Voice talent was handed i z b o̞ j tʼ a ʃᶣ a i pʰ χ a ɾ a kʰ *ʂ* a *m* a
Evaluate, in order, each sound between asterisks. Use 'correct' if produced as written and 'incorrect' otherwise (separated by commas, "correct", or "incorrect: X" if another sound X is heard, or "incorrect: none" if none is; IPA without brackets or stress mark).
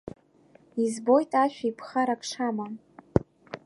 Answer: correct, correct